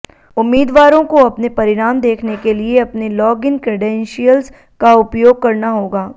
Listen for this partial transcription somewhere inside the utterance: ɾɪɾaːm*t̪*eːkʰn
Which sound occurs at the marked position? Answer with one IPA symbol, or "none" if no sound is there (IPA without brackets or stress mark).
d̪